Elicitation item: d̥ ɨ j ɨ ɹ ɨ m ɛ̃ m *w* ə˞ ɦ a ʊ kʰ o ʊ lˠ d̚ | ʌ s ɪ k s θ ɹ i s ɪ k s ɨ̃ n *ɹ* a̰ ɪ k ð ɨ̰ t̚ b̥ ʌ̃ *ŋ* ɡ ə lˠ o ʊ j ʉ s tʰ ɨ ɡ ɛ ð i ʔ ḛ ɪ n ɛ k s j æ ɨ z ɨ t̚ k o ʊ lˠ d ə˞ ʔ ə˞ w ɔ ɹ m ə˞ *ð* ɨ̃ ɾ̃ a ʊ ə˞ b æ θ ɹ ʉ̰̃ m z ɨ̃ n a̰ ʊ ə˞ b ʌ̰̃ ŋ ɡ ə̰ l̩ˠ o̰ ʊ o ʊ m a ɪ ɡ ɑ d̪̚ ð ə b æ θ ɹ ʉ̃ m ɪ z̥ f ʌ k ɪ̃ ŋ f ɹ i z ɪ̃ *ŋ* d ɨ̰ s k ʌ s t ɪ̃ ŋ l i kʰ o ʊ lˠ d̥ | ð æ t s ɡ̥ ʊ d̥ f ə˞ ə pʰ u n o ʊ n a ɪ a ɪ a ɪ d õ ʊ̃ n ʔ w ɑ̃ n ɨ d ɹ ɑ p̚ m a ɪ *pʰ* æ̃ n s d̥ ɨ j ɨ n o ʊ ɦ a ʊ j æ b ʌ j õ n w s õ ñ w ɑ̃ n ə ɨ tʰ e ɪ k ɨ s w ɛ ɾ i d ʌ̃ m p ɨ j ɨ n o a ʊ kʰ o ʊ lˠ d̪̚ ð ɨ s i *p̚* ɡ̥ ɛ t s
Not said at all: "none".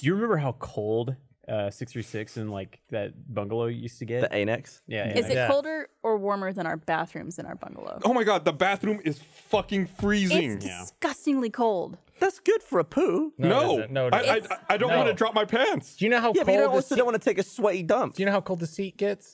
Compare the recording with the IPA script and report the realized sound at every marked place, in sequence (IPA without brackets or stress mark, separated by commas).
b, l, ŋ, ð, ŋ, pʰ, t̚